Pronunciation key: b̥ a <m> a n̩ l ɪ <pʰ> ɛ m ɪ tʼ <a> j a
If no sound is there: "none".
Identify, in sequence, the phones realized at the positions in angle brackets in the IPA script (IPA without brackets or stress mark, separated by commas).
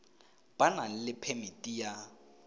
n, pʰ, i